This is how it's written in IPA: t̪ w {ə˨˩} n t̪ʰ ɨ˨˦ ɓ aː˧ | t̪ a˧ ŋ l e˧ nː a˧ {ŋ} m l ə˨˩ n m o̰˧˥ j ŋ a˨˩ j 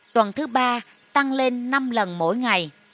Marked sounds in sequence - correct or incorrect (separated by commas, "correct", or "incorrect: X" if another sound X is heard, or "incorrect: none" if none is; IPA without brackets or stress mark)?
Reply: correct, incorrect: none